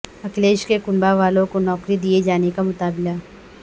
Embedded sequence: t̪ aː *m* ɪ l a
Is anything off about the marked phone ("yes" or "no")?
yes